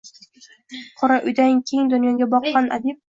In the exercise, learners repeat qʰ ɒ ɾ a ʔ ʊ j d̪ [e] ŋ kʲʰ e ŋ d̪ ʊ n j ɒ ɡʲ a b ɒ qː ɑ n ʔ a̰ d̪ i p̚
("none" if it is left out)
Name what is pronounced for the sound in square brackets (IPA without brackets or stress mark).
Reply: a